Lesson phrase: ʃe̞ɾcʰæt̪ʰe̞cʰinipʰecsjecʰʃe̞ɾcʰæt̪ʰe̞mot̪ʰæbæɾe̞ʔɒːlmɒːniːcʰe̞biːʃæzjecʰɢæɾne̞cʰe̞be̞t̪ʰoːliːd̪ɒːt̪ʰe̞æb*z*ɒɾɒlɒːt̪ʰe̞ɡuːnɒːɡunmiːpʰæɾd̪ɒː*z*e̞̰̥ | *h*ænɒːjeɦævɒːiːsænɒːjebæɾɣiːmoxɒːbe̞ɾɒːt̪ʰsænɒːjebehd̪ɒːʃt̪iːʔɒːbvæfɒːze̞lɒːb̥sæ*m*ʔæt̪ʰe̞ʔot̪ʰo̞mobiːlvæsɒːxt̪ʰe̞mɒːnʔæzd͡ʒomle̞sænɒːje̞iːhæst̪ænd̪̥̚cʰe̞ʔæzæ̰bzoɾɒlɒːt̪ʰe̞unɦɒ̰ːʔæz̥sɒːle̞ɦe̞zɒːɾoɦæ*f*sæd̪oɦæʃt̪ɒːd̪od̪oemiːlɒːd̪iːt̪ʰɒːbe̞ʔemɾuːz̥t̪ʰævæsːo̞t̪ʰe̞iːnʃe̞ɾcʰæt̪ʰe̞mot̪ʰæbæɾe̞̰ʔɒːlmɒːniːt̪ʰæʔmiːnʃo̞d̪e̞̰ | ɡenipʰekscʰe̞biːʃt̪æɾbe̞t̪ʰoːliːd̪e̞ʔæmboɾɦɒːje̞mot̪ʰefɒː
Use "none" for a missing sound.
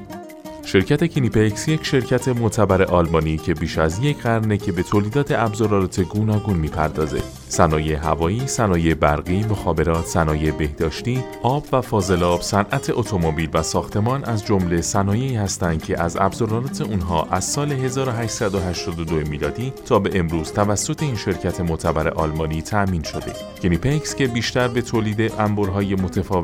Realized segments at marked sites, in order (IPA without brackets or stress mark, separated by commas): z, z, s, n, ʃ